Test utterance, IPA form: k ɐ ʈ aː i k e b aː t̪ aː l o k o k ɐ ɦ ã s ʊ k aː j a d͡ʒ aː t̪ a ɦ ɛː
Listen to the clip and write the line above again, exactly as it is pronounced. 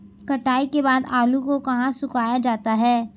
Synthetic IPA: k ɐ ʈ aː i k e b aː d̪ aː l u k o k ɐ ɦ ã s ʊ k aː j a d͡ʒ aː t̪ a ɦ ɛː